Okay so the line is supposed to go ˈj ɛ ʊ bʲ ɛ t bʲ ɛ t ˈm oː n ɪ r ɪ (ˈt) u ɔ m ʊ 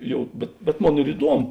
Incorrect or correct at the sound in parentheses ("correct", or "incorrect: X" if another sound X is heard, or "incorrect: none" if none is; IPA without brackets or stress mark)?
incorrect: d